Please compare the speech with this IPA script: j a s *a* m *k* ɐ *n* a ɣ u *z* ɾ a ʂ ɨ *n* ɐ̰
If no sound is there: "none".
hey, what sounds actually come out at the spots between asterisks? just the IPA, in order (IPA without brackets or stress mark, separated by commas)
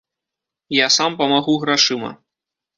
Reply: a, p, m, ɣ, m